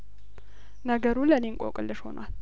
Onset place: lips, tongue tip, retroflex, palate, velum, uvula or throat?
tongue tip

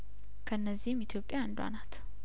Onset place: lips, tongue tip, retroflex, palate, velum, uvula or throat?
velum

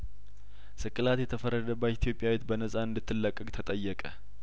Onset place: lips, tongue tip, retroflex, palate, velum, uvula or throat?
tongue tip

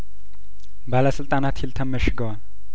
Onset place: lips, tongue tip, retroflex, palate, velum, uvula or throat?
lips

